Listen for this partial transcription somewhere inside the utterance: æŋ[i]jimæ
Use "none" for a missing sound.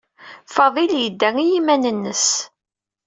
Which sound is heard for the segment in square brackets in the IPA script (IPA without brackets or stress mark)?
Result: i